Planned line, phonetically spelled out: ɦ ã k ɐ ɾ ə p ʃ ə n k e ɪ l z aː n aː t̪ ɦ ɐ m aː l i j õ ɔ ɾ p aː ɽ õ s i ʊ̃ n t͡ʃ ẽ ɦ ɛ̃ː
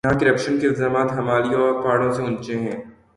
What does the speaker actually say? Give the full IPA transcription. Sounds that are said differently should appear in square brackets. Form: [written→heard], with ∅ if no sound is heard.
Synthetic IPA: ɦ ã k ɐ ɾ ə p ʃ ə n k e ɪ l z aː [n→m] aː t̪ ɦ ɐ m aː l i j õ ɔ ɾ p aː ɽ õ s [i→e] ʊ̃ n t͡ʃ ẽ ɦ ɛ̃ː

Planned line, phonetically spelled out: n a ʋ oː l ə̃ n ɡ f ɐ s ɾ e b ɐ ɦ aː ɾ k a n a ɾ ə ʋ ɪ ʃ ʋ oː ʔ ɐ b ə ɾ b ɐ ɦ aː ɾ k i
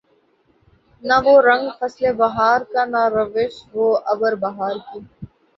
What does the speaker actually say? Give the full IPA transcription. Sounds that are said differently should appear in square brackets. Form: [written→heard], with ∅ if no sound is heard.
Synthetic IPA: n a ʋ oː [l→ɾ] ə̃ [n→ŋ] ɡ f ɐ s [ɾ→l] e b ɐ ɦ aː ɾ k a n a ɾ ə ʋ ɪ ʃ ʋ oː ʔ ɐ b ə ɾ b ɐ ɦ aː ɾ k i

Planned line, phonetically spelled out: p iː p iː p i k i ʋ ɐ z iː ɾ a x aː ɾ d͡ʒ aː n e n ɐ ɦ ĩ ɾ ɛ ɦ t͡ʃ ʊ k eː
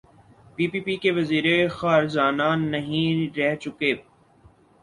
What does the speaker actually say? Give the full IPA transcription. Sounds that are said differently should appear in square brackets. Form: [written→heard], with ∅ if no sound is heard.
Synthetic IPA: p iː p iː p i k [i→e] ʋ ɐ z iː ɾ [a→e] x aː ɾ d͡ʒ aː n [e→a] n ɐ ɦ ĩ ɾ ɛ ɦ t͡ʃ ʊ k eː

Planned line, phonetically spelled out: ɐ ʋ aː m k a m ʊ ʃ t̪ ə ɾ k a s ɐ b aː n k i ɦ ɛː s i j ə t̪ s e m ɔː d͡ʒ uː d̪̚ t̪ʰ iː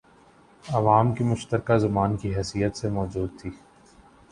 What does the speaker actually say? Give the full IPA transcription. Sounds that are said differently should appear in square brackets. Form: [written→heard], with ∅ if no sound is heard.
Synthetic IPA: ɐ ʋ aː m k [a→i] m ʊ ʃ t̪ ə ɾ k a [s→z] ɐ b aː n k i ɦ ɛː s i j ə t̪ s e m ɔː d͡ʒ uː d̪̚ t̪ʰ iː

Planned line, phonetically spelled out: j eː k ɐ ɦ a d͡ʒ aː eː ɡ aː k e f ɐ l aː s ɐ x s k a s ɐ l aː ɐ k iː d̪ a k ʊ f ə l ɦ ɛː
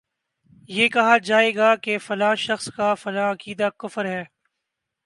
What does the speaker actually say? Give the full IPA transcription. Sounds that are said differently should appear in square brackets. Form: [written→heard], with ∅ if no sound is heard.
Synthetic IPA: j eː k ɐ ɦ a d͡ʒ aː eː ɡ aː k e f ɐ l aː [s→ʃ] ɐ x s k a [s→f] ɐ l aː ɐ k iː d̪ a k ʊ f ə [l→ɾ] ɦ ɛː

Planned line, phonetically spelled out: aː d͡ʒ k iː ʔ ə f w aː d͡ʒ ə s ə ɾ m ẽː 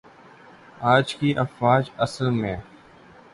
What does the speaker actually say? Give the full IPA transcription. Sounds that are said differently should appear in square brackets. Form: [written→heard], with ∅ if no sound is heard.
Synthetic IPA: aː d͡ʒ k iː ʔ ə f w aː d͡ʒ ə s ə [ɾ→l] m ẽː

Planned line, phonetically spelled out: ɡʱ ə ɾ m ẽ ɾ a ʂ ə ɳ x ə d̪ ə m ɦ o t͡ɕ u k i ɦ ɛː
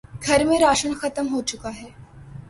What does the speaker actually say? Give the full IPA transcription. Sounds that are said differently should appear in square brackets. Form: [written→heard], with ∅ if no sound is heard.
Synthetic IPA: ɡʱ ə ɾ m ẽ ɾ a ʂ ə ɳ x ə [d̪→t̪] ə m ɦ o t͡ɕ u k [i→a] ɦ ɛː

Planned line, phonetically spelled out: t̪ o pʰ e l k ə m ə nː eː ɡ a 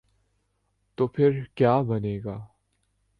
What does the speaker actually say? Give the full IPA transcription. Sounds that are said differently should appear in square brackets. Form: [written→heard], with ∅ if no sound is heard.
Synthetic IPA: t̪ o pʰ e [l→ɹ] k [ə→a] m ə [nː→n] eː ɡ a

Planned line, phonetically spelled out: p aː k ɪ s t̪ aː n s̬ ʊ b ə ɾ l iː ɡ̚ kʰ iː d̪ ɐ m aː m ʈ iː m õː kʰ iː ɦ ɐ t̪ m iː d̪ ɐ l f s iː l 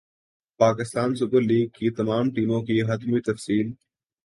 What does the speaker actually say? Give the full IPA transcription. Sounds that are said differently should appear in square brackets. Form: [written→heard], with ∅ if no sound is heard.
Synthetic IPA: p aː k ɪ s t̪ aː n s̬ ʊ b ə ɾ l iː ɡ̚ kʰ iː [d̪→t̪] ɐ m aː m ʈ iː m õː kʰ iː ɦ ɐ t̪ m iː [d̪→t̪] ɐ [l→∅] f s iː l

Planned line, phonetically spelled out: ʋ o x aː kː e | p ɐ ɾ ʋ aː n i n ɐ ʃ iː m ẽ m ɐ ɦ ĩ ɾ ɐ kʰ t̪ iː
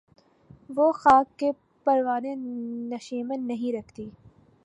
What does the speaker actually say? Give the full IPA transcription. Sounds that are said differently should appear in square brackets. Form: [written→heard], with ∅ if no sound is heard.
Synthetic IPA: ʋ o x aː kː e | p ɐ ɾ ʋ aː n [i→e] n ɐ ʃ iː m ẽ [m→n] ɐ ɦ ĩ ɾ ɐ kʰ t̪ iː

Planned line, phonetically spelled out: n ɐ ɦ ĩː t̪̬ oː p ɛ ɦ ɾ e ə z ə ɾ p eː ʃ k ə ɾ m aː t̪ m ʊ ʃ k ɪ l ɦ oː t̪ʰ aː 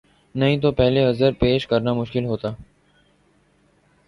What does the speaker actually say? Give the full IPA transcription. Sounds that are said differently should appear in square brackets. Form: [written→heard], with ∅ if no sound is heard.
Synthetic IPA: n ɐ ɦ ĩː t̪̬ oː p ɛ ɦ [ɾ→l] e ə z ə ɾ p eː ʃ k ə ɾ [m→n] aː [t̪→∅] m ʊ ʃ k ɪ l ɦ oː [t̪ʰ→t̪] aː

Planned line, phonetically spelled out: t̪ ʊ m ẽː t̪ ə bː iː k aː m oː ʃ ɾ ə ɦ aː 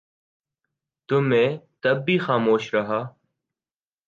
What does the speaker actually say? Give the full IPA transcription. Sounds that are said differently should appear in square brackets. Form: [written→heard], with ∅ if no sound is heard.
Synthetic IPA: t̪ ʊ m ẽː t̪ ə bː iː [k→x] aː m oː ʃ ɾ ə ɦ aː

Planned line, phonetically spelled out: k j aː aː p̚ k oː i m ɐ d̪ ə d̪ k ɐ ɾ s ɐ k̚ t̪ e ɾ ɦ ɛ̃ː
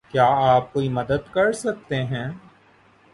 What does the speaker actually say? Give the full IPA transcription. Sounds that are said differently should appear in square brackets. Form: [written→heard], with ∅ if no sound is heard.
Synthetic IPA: k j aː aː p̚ k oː i m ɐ d̪ ə d̪ k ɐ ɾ s ɐ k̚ t̪ e [ɾ→∅] ɦ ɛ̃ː

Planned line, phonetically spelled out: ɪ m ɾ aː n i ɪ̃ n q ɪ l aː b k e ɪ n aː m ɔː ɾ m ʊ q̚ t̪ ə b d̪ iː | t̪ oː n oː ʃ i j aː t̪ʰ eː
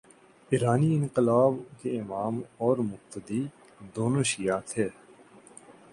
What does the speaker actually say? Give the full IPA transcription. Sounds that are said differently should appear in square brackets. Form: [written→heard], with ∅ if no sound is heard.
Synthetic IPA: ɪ [m→∅] ɾ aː n i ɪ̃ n q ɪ l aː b k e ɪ [n→m] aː m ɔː ɾ m ʊ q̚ t̪ ə [b→∅] d̪ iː | [t̪→d̪] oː n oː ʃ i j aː t̪ʰ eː

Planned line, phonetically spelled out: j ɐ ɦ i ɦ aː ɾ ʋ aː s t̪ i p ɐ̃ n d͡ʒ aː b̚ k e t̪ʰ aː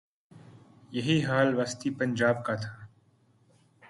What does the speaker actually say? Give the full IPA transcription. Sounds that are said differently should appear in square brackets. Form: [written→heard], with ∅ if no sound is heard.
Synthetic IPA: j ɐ ɦ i ɦ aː [ɾ→l] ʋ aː s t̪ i p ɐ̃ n d͡ʒ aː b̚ k [e→a] t̪ʰ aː

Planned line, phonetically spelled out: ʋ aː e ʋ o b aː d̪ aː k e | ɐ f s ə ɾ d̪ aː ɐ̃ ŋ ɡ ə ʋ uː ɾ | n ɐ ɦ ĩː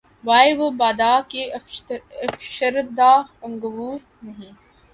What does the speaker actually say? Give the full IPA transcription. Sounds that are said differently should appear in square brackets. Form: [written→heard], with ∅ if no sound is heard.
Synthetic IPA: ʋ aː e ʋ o b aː d̪ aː k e | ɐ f [s→ʃ] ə ɾ d̪ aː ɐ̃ ŋ ɡ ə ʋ uː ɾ | n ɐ ɦ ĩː

